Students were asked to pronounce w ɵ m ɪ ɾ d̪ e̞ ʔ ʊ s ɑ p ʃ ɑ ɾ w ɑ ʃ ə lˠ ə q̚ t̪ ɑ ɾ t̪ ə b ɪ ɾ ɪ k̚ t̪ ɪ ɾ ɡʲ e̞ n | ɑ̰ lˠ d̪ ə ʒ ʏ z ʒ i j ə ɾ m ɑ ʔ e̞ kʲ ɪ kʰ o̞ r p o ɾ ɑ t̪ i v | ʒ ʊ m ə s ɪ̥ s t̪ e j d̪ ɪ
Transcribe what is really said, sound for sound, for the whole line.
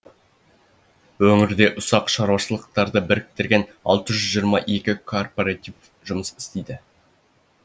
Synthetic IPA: w ɵ ŋ ɪ ɾ d̪ e̞ ʔ ʊ s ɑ q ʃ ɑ ɾ w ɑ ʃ ə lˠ ə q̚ t̪ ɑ ɾ d̪ ə b ɪ ɾ ɪ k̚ t̪ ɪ ɾ ɡʲ e̞ n | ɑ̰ lˠ t̪ ə ʒ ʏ z ʒ i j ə ɾ m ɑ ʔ e̞ kʲ ɪ kʰ o̞ r p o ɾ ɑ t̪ i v | ʒ ʊ m ə s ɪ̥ s t̪ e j d̪ ɪ

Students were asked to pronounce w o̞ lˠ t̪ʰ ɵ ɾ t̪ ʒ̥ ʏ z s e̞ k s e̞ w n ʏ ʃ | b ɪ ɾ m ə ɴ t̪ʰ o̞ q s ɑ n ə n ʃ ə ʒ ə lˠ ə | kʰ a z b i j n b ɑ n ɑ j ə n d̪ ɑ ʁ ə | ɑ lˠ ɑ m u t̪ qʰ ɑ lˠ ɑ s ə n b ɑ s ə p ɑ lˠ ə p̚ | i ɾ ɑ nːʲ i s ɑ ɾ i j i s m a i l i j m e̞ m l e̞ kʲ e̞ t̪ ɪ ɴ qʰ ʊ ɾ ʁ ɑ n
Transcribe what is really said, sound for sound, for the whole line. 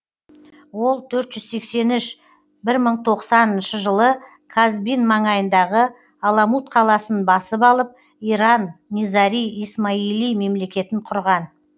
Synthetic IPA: w o̞ lˠ t̪ʰ ɵ ɾ t̪ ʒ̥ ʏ z s e̞ k s e̞ n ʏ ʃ | b ɪ ɾ m ə ɴ t̪ʰ o̞ q s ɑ n ə n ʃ ə ʒ ə lˠ ə | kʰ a z b i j n m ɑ ɴ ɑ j ə n d̪ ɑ ʁ ə | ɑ lˠ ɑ m u t̪ qʰ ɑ lˠ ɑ s ə n b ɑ s ə p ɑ lˠ ə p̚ | i ɾ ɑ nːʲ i z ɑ ɾ i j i s m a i l i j m e̞ m l e̞ kʲ e̞ t̪ ɪ ɴ qʰ ʊ ɾ ʁ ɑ n

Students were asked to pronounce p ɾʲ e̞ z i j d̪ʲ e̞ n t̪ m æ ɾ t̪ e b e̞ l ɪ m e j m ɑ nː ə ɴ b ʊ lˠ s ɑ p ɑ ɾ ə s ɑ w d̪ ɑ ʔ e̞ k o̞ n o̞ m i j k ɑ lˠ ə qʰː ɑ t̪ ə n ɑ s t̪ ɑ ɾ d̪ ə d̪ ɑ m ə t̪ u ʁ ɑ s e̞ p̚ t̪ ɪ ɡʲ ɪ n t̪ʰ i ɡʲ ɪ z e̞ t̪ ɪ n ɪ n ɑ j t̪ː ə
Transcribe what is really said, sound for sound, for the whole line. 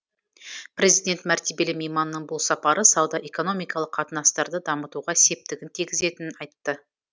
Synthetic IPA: p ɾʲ e̞ z i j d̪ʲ e̞ n t̪ m æ ɾ t̪ e b e̞ l ɪ m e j m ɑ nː ə ɴ b ʊ lˠ s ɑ p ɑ ɾ ə s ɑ w d̪ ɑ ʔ e̞ k o̞ n o̞ m i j k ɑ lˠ ə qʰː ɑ t̪ ə n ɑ s t̪ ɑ ɾ d̪ ə d̪ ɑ m ə t̪ u ʁ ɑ s e̞ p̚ t̪ ɪ ɡʲ ɪ n t̪ʰ i ɡʲ ɪ z e̞ t̪ ɪ n ɪ n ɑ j t̪ː ə

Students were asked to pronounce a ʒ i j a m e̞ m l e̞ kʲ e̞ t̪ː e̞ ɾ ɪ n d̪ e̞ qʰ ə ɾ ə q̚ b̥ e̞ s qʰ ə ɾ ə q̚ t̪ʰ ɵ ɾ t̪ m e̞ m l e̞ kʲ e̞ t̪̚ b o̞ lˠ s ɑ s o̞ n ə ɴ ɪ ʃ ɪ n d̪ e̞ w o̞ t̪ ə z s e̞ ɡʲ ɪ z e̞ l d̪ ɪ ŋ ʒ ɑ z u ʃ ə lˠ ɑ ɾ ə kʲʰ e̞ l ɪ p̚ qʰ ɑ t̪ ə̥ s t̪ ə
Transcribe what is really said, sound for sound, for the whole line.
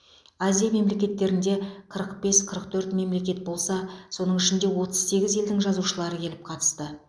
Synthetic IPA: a z i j a m e̞ m l e̞ kʲ e̞ t̪ː e̞ ɾ ɪ n d̪ e̞ qʰ ə ɾ ə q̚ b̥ e̞ s qʰ ə ɾ ə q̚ t̪ʰ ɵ ɾ t̪ m e̞ m l e̞ kʲ e̞ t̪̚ b o̞ lˠ s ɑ s o̞ n ə ɴ ɪ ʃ ɪ n d̪ e̞ w o̞ t̪ ə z s e̞ ɡʲ ɪ z e̞ l d̪ ɪ ŋ ʒ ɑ z u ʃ ə lˠ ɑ ɾ ə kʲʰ e̞ l ɪ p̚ qʰ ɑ t̪ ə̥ s t̪ ə

